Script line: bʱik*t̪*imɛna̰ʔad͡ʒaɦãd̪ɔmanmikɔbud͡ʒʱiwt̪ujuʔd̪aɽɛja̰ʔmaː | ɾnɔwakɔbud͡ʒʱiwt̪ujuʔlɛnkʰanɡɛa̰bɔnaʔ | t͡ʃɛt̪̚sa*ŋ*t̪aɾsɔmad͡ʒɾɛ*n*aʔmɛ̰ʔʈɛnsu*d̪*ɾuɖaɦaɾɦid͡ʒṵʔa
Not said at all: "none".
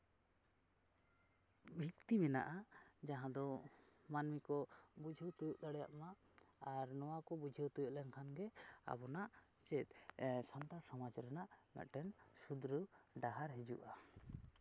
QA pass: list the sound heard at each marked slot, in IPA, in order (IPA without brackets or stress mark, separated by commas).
t̪, n, n, d̪